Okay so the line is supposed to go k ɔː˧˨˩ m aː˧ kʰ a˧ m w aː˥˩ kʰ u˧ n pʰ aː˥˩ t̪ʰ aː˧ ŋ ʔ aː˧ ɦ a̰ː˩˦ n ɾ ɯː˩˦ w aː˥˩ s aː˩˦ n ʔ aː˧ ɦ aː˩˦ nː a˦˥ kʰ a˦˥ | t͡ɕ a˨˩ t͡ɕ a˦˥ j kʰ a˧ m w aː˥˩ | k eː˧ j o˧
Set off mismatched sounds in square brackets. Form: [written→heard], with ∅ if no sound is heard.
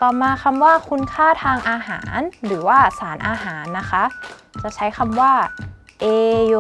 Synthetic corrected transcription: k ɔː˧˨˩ m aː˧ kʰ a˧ m w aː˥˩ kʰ u˧ n [pʰ→kʰ] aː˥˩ t̪ʰ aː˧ ŋ ʔ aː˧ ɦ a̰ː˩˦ n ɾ ɯː˩˦ w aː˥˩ s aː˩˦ n ʔ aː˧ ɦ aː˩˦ nː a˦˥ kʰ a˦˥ | t͡ɕ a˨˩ [t͡ɕ→t͡ɕʰ] a˦˥ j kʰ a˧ m w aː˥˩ | [k→ʔ] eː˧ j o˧